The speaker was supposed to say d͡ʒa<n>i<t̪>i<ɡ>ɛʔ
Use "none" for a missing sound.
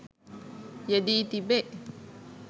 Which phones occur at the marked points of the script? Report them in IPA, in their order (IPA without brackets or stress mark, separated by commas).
d, t̪, b